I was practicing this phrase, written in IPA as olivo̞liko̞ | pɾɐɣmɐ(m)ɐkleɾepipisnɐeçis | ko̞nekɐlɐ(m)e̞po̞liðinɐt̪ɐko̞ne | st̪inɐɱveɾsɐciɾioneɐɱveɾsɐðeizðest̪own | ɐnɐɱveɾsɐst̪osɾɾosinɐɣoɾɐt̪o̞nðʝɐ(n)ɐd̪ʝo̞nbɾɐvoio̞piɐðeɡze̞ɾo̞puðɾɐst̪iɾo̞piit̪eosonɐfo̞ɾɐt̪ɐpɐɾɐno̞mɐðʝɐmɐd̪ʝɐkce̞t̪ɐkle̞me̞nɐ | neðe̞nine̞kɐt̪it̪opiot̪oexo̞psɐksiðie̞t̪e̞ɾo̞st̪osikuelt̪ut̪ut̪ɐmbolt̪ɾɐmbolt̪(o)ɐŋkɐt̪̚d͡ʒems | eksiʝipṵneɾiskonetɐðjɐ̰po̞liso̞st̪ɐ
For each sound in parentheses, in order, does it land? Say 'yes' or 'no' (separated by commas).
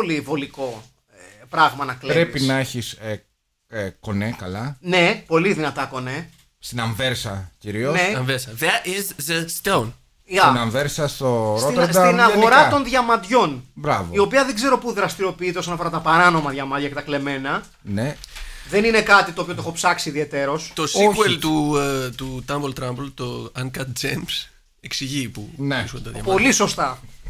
no, no, no, yes